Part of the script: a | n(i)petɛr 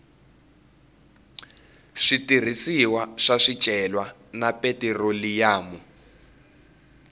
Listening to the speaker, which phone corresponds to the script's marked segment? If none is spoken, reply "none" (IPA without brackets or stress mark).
a